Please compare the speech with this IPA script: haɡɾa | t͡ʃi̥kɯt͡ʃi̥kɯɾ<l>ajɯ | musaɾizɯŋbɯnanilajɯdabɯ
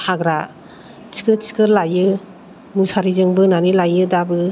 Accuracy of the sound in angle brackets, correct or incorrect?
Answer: correct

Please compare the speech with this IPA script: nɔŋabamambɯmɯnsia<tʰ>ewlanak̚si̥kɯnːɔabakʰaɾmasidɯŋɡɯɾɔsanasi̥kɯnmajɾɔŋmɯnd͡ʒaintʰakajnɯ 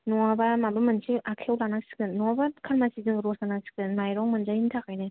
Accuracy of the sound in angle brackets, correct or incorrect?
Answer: incorrect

